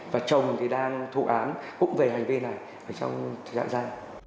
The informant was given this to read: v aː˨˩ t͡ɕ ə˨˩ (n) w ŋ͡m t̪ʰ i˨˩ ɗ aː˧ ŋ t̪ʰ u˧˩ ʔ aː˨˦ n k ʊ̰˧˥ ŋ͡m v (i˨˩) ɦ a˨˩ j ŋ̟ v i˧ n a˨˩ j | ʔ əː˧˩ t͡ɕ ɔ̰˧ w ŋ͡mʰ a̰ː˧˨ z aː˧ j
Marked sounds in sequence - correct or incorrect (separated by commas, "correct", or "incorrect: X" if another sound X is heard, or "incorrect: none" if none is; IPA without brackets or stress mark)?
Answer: incorrect: none, incorrect: e˨˩